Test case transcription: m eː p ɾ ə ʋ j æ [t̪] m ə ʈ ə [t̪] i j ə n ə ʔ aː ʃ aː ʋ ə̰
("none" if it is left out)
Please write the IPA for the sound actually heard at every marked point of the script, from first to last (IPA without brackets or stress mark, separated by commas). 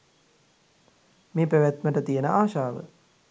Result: t̪, t̪